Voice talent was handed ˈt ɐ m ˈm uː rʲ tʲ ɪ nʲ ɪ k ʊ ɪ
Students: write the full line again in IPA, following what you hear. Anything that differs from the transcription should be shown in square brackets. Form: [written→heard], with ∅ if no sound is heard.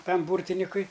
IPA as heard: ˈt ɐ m [ˈm→ˈb] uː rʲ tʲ ɪ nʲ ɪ k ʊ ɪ